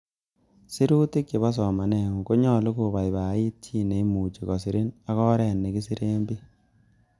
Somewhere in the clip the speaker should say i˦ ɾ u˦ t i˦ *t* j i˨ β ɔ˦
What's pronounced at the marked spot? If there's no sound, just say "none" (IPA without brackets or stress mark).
k